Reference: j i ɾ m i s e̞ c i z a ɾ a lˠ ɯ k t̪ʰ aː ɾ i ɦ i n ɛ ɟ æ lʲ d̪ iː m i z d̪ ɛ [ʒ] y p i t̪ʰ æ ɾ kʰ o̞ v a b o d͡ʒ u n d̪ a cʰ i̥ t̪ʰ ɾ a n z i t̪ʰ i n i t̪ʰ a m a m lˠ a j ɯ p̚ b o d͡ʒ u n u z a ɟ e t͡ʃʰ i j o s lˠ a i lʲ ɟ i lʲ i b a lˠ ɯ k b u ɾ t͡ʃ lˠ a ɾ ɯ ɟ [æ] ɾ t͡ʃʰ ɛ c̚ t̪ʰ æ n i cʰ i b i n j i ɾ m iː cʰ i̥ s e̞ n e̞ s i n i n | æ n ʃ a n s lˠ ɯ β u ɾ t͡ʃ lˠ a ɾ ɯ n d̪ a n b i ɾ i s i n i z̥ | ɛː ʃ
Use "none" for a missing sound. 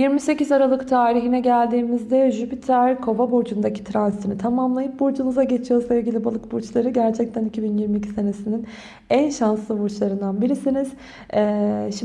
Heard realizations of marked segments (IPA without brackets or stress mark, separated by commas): ʒ, æ